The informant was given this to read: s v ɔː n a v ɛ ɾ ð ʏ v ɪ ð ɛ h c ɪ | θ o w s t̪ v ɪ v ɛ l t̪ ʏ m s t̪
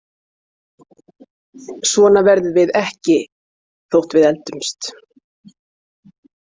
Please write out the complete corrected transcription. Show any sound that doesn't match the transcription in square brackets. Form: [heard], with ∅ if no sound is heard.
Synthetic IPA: s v ɔː n a v ɛ ɾ ð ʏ v ɪ ð ɛ h c ɪ | θ o w [h] t̪ v ɪ [ð] ɛ l t̪ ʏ m s t̪